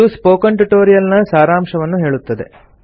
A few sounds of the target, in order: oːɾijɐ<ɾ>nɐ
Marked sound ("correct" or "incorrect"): incorrect